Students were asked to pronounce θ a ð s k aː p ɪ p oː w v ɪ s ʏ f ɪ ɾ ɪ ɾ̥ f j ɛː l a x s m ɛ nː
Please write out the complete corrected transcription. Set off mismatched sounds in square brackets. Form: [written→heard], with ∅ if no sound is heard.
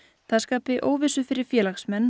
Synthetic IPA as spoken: θ a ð s k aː p ɪ [p→ʔ] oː w v ɪ s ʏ f ɪ ɾ ɪ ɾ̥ f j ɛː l a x s m ɛ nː